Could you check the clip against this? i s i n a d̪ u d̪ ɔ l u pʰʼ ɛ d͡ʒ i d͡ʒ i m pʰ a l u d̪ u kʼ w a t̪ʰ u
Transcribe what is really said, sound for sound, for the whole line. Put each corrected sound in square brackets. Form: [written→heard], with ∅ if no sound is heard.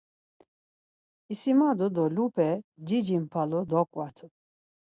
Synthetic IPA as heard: i s i [n→m] a d̪ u d̪ ɔ l u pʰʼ ɛ d͡ʒ i d͡ʒ i m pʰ a l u d̪ [u→ɔ] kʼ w a t̪ʰ u